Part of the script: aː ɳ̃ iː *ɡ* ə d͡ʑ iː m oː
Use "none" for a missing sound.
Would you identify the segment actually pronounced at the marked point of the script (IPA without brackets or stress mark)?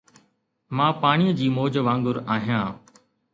none